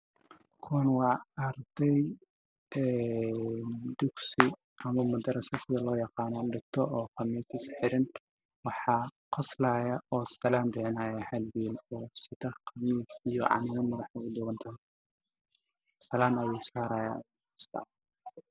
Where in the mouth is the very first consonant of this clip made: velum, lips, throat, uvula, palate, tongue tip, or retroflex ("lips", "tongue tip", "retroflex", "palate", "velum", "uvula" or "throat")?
velum